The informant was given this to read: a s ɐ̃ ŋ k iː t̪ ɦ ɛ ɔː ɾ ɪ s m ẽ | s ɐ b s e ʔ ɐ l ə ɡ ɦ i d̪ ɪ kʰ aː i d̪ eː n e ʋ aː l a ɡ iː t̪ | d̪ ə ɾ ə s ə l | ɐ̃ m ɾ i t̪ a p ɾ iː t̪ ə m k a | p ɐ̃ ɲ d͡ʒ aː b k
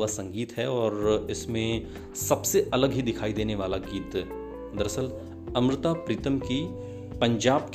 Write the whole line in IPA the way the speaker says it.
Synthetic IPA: a s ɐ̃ ŋ ɡ iː t̪ ɦ ɛ ɔː ɾ ɪ s m ẽ | s ɐ b s e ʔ ɐ l ə ɡ ɦ i d̪ ɪ kʰ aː i d̪ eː n e ʋ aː l a ɡ iː t̪ | d̪ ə ɾ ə s ə l | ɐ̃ m ɾ ɪ t̪ a p ɾ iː t̪ ə m k i | p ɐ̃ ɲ d͡ʒ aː b k